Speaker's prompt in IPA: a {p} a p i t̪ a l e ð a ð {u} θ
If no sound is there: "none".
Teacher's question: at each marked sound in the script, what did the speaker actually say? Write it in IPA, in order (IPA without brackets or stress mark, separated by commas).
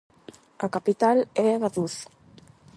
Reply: k, u